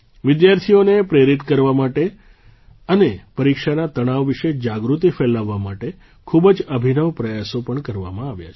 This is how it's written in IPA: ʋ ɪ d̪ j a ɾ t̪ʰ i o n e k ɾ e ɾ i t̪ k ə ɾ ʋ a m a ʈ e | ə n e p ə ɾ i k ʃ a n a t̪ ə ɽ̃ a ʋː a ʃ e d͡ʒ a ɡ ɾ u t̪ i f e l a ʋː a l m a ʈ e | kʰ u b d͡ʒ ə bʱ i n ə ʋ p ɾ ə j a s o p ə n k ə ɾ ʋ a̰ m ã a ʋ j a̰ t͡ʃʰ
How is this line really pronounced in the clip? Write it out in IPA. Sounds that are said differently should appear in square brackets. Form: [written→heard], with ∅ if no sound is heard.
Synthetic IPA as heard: ʋ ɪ d̪ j a ɾ t̪ʰ i o n e [k→p] ɾ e ɾ i t̪ k ə ɾ ʋ a m a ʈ e | ə n e p ə ɾ i k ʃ a n a t̪ ə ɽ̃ a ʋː [a→i] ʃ e d͡ʒ a ɡ ɾ u t̪ i f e l a ʋː a [l→∅] m a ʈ e | kʰ u b d͡ʒ ə bʱ i n ə ʋ p ɾ ə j a s o p ə [n→ɳ] k ə ɾ ʋ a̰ m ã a ʋ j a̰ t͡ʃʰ